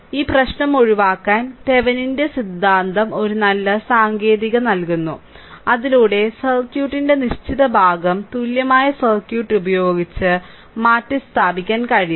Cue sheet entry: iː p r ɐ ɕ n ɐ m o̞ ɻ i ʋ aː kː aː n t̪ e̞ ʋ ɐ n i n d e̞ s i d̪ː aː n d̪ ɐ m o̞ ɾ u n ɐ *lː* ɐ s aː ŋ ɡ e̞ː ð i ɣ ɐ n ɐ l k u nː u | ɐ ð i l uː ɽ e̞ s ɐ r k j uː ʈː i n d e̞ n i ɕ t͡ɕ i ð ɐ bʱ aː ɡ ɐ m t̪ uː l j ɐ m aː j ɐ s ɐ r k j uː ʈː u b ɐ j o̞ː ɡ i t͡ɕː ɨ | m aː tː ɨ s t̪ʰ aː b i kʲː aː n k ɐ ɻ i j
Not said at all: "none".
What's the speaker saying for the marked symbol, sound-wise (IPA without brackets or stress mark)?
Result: lː